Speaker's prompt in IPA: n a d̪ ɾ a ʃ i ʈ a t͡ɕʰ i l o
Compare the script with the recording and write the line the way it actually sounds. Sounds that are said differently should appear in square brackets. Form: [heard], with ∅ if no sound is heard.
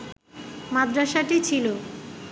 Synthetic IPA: [m] a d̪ ɾ a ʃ [a] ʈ [i] t͡ɕʰ i l o